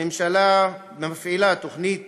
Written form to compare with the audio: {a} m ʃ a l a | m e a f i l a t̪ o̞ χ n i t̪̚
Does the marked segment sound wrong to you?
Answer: yes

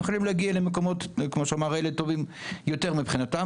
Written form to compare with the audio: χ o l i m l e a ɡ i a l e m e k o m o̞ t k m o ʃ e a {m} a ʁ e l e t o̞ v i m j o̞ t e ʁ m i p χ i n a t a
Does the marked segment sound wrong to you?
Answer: no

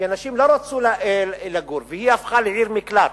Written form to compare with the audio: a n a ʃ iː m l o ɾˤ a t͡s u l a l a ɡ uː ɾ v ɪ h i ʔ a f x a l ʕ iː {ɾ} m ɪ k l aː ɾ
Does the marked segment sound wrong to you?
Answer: no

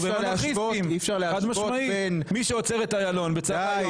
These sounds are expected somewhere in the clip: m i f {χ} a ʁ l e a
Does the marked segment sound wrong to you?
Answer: yes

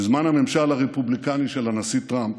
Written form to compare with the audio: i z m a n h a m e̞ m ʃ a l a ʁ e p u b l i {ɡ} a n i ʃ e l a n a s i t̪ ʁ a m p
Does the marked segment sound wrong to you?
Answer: yes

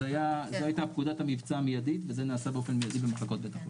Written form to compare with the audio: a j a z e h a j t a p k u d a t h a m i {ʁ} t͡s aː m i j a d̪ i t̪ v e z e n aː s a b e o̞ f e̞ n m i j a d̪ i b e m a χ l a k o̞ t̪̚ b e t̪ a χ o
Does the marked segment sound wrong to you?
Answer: yes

